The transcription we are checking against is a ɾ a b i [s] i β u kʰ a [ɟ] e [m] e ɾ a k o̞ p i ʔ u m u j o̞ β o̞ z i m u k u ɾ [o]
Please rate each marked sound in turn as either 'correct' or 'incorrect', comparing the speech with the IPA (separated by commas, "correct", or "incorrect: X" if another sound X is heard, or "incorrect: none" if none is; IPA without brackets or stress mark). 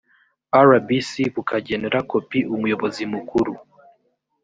correct, correct, incorrect: n, incorrect: u